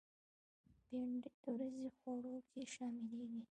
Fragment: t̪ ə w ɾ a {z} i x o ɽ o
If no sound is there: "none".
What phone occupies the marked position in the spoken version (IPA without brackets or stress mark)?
z